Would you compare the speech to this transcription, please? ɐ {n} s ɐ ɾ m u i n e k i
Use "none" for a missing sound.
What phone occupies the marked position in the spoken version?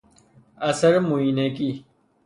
none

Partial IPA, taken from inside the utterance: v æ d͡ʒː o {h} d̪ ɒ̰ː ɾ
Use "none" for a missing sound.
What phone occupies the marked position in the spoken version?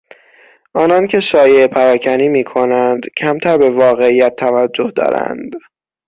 h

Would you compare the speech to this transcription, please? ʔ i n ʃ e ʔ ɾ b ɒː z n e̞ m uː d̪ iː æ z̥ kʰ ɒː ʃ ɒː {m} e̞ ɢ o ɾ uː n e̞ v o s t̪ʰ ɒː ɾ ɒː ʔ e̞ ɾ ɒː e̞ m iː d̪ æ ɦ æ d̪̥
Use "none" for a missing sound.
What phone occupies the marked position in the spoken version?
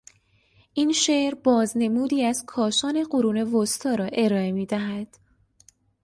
n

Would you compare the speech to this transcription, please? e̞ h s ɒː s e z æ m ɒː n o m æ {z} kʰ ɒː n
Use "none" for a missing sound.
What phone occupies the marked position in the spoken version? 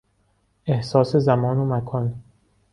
none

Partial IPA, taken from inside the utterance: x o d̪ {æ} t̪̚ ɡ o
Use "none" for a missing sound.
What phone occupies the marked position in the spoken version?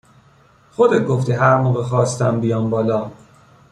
e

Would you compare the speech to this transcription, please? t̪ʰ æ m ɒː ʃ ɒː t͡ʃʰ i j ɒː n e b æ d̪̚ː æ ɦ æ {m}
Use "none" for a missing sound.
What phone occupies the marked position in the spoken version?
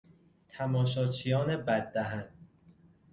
n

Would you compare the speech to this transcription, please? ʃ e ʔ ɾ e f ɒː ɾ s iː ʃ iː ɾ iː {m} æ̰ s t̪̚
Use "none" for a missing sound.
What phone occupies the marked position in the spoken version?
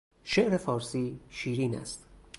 n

